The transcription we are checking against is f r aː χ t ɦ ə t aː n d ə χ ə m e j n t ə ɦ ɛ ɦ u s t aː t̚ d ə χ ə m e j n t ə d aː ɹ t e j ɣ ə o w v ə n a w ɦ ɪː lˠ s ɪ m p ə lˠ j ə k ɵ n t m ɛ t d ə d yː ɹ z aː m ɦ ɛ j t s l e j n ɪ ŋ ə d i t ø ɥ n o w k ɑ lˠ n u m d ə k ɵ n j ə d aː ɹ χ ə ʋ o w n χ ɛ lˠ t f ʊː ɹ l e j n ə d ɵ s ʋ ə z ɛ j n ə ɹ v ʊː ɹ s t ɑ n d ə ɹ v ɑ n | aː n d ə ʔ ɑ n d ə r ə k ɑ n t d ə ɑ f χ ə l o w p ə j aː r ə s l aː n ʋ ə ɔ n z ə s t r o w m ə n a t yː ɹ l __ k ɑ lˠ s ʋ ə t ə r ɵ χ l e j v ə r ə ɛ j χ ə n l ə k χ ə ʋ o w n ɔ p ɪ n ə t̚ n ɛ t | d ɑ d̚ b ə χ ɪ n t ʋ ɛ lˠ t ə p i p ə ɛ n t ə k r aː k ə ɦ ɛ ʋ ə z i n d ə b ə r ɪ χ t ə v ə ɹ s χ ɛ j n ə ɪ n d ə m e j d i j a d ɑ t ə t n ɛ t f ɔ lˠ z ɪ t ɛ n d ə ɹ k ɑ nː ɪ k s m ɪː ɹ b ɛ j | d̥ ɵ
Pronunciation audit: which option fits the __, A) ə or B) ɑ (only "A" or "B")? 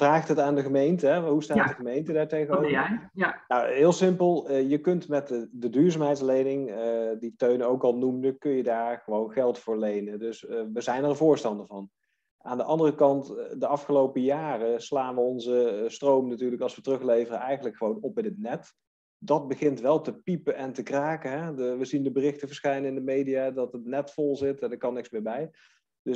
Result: A